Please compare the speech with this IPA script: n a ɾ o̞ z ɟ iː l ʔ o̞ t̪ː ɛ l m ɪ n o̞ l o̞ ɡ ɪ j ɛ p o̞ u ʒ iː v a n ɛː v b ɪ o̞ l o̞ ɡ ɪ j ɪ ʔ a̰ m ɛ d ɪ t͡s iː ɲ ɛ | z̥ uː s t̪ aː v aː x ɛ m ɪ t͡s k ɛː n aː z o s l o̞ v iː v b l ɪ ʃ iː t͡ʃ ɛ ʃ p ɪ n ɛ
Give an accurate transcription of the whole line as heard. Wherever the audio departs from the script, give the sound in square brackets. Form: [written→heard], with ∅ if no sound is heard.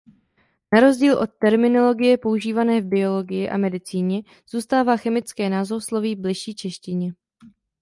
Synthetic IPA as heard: n a ɾ o̞ z ɟ iː l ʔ o̞ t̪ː ɛ [l→ɾ] m ɪ n o̞ l o̞ ɡ ɪ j ɛ p o̞ u ʒ iː v a n ɛː v b ɪ o̞ l o̞ ɡ ɪ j ɪ ʔ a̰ m ɛ d ɪ t͡s iː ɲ ɛ | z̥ uː s t̪ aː v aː x ɛ m ɪ t͡s k ɛː n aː z o s l o̞ v iː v b l ɪ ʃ iː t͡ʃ ɛ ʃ [p→c] ɪ [n→ɲ] ɛ